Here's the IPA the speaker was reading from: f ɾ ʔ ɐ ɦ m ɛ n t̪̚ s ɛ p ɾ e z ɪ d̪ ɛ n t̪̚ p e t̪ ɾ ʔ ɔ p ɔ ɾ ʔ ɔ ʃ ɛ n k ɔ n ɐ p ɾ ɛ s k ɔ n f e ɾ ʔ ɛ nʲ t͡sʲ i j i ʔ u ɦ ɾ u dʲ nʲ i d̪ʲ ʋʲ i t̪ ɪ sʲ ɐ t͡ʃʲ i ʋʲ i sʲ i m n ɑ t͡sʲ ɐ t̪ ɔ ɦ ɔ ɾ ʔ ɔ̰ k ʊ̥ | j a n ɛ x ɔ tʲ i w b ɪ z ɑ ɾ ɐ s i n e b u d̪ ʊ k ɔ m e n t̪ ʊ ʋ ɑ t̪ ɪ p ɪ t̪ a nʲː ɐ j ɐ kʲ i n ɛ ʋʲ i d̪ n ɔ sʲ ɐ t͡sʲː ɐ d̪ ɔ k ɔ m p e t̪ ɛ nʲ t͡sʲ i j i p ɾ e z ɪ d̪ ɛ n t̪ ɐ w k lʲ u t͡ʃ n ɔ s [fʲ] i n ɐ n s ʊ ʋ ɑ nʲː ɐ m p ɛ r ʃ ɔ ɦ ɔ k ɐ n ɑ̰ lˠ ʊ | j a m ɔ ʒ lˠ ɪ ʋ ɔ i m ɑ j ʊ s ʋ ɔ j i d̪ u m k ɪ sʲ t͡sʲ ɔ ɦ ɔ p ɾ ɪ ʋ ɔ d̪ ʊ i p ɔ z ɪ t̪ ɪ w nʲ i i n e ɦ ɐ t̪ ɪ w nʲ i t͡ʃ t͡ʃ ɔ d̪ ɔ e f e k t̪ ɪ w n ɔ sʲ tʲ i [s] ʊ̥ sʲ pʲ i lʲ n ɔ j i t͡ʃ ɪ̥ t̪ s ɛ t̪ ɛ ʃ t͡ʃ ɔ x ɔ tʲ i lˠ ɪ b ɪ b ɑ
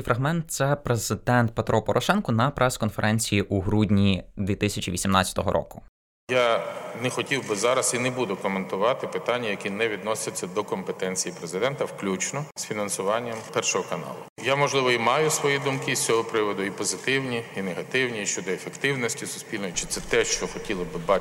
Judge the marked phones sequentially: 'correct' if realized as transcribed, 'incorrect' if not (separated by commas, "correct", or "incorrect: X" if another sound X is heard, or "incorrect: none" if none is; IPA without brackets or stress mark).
correct, correct